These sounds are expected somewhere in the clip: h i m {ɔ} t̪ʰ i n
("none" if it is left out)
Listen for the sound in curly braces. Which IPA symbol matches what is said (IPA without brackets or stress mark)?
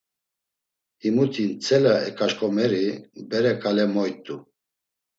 u